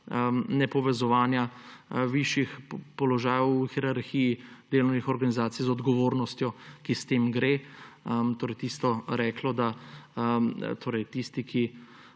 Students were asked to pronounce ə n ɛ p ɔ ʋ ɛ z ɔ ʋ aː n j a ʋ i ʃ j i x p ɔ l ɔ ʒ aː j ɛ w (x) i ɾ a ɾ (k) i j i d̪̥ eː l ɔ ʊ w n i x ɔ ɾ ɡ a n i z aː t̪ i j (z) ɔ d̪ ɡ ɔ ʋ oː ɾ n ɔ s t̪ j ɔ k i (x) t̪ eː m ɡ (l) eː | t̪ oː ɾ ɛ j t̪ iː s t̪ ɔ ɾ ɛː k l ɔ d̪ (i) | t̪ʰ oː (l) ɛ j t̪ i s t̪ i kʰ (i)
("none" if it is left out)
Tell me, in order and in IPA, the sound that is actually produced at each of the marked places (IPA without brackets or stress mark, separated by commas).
x, x, z, s, ɾ, a, ɾ, i